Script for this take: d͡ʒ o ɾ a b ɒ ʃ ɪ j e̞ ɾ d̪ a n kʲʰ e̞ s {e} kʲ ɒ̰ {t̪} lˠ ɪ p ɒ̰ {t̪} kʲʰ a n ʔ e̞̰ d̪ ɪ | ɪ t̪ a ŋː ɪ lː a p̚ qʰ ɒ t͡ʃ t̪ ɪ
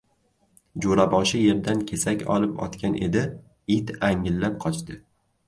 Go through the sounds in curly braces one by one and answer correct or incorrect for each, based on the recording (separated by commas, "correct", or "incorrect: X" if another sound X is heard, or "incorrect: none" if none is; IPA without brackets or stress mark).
incorrect: a, incorrect: none, correct